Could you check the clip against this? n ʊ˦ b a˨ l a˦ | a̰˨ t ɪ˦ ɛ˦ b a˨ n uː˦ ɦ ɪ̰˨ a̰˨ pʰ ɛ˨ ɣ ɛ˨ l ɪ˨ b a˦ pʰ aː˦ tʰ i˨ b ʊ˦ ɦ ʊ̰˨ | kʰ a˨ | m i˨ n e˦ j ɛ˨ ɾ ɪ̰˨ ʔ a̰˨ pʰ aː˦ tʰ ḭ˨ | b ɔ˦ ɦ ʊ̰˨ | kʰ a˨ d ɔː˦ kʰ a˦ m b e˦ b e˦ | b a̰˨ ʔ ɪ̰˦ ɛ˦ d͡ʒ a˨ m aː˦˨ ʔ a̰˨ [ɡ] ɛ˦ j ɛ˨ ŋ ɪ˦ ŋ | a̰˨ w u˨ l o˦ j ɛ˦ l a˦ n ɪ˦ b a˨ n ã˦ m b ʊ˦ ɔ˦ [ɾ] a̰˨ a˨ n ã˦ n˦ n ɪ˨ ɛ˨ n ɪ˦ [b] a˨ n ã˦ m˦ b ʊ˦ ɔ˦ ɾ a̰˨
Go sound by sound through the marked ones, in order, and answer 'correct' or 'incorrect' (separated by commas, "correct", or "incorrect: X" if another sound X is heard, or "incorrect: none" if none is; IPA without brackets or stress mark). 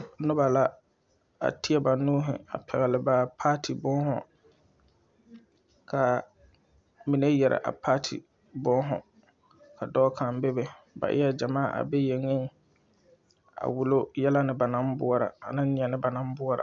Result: incorrect: b, correct, correct